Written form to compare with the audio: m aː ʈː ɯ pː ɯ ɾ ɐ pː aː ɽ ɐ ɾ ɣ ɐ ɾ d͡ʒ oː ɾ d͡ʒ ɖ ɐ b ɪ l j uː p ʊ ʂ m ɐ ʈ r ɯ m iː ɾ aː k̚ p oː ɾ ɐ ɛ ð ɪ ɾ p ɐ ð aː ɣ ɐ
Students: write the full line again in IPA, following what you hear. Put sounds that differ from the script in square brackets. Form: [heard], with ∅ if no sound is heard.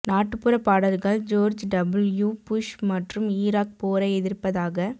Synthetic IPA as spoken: [n] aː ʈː ɯ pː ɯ ɾ ɐ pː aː ɽ ɐ ɾ ɣ ɐ [ɭ] d͡ʒ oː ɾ d͡ʒ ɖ ɐ b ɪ l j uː p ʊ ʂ m ɐ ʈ r ɯ m iː ɾ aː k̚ p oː ɾ ɐ ɛ ð ɪ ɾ p ɐ ð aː ɣ ɐ